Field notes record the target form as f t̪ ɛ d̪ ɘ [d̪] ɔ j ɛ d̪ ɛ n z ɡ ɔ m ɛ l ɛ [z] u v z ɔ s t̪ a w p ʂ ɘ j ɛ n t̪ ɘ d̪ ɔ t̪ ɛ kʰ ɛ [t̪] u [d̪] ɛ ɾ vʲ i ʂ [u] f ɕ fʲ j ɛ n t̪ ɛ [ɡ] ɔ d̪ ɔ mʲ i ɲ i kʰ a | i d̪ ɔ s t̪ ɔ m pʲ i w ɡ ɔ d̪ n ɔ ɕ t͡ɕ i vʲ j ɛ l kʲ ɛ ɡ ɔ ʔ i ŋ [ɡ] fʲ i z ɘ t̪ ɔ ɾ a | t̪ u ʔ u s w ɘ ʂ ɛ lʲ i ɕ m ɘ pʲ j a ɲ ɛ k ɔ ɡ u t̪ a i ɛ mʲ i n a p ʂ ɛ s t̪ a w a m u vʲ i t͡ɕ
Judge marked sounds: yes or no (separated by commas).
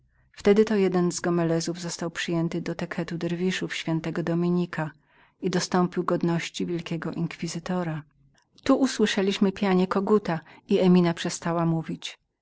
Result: no, yes, yes, yes, yes, yes, no